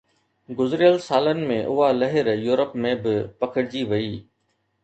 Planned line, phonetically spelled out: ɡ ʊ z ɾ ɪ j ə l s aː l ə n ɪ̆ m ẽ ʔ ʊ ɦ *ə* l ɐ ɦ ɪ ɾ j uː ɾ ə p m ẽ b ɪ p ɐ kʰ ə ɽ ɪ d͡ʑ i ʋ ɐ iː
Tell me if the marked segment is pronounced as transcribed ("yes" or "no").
no